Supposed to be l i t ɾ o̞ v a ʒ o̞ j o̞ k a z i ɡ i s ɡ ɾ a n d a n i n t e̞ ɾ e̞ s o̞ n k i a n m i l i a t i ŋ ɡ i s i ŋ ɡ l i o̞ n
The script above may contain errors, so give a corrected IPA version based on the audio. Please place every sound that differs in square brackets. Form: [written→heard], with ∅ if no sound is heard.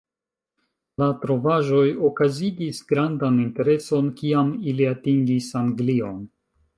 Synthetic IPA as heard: l [i→a] t ɾ o̞ v a ʒ o̞ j o̞ k a z i ɡ i s ɡ ɾ a n d a n i n t e̞ ɾ e̞ s o̞ n k i a [n→∅] m i l i a t i ŋ ɡ i s [i→a] ŋ ɡ l i o̞ n